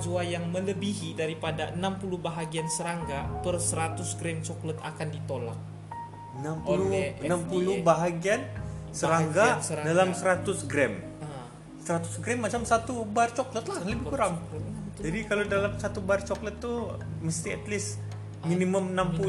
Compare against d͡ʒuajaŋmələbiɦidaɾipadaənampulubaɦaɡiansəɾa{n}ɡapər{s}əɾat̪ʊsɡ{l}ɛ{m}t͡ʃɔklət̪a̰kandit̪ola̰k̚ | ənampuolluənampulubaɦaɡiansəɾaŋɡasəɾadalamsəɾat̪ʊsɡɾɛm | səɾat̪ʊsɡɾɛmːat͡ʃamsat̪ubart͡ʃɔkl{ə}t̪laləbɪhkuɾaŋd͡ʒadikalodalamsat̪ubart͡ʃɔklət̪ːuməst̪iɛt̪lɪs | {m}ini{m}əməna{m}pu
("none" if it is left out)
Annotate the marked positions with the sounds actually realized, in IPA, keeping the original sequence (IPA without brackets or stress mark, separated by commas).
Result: ŋ, s, ɾ, m, ə, m, m, m